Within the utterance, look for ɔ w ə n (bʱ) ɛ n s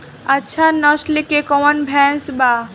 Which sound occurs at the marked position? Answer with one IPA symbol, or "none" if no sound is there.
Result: bʱ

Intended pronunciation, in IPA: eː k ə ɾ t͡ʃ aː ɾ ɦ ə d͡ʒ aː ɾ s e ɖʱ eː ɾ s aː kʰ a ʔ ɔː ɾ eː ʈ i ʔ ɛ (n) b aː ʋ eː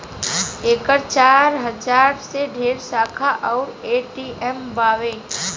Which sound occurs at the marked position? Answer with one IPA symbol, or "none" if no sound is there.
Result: m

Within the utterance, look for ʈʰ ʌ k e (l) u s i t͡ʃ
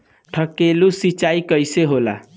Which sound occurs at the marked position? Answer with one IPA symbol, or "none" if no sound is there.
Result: l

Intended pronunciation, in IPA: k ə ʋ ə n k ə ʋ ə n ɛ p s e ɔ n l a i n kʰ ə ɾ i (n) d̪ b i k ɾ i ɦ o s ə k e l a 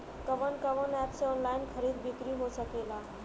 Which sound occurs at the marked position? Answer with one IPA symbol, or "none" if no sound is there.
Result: none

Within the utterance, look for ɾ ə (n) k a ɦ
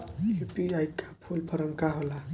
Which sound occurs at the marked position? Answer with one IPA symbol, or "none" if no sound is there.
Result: m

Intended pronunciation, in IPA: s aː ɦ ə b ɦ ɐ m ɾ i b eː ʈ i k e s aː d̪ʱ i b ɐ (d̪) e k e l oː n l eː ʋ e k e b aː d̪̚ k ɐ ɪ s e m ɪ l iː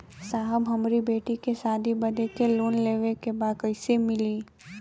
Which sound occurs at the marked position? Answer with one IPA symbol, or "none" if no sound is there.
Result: d̪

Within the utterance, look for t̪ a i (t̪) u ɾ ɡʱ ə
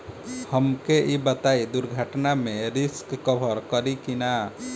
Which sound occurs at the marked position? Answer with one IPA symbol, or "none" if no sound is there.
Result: d̪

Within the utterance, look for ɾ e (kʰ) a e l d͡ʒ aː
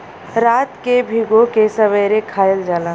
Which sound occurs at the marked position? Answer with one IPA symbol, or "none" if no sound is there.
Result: kʰ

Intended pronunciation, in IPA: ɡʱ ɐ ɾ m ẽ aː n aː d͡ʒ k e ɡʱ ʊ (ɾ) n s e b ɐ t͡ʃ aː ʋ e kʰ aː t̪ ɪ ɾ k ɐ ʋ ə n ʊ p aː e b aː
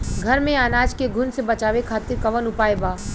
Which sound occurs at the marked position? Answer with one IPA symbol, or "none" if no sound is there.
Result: none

